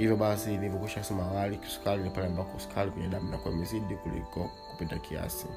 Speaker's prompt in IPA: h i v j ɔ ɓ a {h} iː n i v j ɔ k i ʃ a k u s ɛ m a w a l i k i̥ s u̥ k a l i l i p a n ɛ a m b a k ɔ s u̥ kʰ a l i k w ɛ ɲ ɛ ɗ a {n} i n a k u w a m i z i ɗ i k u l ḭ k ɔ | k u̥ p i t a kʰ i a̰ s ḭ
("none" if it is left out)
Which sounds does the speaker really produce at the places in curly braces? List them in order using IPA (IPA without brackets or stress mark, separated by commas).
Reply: s, m